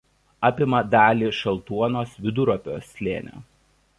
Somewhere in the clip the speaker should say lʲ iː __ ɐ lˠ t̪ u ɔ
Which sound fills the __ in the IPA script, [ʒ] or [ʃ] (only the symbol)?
ʃ